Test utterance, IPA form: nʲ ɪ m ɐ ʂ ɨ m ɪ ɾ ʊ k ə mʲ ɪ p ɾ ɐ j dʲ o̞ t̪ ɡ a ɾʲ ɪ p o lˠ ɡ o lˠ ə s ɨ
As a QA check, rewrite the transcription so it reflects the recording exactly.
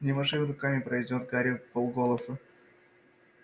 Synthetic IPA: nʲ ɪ m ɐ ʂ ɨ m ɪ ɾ ʊ k a mʲ ɪ p ɾ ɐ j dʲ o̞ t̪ ɡ a ɾʲ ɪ p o lˠ ɡ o lˠ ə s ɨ